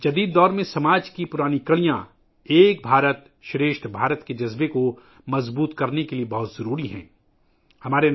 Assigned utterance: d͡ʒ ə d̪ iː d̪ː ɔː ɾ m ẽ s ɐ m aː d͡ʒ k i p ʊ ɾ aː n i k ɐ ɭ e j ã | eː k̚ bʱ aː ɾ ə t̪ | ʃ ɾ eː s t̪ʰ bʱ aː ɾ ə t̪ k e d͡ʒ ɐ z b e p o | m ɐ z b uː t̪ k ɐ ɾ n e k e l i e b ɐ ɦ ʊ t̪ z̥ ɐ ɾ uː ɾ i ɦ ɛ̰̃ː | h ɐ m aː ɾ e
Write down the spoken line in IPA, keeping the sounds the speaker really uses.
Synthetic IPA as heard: d͡ʒ ɐ d̪ iː d̪ː ɔː ɾ m ẽ s ɐ m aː d͡ʒ k i p ʊ ɾ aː n i k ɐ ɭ i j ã | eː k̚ bʱ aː ɾ ə t̪ | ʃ ɾ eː ʃ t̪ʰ bʱ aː ɾ ə t̪ k e d͡ʒ ɐ z b e k o | m ɐ z b uː t̪ k ɐ ɾ n e k e l i e b ɐ ɦ ʊ t̪ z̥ ɐ ɾ uː ɾ i ɦ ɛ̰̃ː | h ɐ m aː ɾ e